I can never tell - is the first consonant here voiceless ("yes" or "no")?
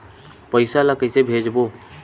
yes